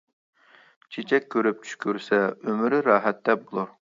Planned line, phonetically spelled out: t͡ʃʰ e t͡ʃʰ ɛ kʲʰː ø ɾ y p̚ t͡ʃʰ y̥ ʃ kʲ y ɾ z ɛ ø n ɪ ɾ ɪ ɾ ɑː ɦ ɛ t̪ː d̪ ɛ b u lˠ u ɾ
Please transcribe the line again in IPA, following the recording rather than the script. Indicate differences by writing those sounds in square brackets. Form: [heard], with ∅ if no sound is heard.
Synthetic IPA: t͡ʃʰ e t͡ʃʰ ɛ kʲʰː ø ɾ y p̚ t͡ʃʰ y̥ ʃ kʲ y ɾ [s] ɛ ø [m] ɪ ɾ ɪ ɾ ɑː ɦ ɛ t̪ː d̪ ɛ b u lˠ u ɾ

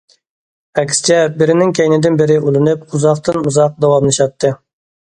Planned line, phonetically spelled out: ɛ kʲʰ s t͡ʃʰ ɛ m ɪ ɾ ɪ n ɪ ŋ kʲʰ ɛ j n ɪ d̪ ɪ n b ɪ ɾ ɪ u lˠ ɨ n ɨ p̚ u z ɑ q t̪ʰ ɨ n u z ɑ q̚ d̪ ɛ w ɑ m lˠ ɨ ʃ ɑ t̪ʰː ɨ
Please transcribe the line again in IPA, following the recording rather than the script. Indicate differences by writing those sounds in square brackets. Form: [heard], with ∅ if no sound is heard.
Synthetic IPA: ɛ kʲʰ s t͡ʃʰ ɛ [b] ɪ ɾ ɪ n ɪ ŋ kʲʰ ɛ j n ɪ d̪ ɪ n b ɪ ɾ ɪ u lˠ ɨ n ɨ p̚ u z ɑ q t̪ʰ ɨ n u z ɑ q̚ d̪ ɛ w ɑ m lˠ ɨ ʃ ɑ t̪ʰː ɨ

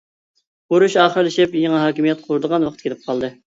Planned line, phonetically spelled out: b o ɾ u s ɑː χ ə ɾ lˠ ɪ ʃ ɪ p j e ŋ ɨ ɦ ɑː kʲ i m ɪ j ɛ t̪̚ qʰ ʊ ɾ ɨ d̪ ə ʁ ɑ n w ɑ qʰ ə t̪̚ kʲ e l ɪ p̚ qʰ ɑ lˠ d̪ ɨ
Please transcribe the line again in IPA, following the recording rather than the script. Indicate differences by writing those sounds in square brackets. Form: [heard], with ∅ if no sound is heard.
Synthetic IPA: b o ɾ u [ʃ] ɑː χ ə ɾ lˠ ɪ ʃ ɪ p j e ŋ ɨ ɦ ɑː kʲ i m [i] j ɛ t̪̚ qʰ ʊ ɾ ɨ d̪ ə ʁ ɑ n w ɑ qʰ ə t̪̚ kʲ e l ɪ p̚ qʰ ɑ lˠ d̪ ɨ

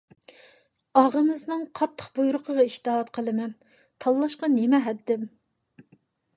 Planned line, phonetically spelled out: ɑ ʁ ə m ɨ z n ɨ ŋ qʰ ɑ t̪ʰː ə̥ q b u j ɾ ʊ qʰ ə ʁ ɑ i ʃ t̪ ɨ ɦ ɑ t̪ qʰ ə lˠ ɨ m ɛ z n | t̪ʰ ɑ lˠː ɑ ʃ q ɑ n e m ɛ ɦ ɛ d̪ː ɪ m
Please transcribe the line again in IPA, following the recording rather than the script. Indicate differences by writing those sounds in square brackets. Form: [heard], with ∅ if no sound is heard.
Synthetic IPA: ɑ ʁ ə m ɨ z n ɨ ŋ qʰ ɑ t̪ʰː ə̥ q b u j ɾ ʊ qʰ ə ʁ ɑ i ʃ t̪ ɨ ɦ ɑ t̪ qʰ ə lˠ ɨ m ɛ [∅] n | t̪ʰ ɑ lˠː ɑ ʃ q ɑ n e m ɛ ɦ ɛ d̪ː ɪ m

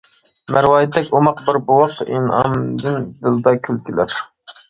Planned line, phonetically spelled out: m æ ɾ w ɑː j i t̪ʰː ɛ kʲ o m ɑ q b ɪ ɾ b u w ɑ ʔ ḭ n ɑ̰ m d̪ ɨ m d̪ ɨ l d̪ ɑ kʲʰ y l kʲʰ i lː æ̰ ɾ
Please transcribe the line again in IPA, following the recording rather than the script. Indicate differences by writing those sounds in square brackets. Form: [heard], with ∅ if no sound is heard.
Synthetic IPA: m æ ɾ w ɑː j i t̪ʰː ɛ kʲ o m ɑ q b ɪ ɾ b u w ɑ [q] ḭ n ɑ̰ m d̪ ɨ [n] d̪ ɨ l d̪ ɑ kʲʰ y l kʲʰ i [l] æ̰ ɾ

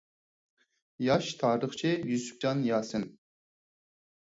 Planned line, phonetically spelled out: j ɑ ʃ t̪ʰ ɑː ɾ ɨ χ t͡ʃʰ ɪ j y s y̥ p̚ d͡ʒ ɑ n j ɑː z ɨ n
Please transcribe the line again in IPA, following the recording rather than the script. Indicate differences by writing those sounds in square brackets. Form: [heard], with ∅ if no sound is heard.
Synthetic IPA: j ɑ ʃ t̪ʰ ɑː ɾ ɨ χ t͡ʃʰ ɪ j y s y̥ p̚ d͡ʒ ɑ n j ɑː [s] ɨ n

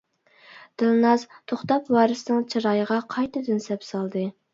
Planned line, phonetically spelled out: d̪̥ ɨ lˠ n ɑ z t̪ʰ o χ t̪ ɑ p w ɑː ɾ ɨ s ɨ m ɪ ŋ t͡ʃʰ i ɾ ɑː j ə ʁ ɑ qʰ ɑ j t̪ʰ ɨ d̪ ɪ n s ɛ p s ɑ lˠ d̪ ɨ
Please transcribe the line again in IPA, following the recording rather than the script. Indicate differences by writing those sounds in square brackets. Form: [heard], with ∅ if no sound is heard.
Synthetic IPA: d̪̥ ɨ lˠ n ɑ z t̪ʰ o χ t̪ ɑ p w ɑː ɾ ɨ s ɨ [n] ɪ ŋ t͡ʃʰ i ɾ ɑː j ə ʁ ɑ qʰ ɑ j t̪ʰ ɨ d̪ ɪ n s ɛ p s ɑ lˠ d̪ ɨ

